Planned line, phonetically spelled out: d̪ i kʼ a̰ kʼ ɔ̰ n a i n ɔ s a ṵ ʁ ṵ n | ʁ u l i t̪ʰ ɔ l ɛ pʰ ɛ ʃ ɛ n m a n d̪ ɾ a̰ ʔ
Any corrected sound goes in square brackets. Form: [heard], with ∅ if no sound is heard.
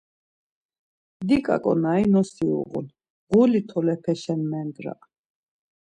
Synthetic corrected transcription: d̪ i kʼ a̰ kʼ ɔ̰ n a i n ɔ s [i] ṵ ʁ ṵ n | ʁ u l i t̪ʰ ɔ l ɛ pʰ ɛ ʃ ɛ n m [ɛ] n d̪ ɾ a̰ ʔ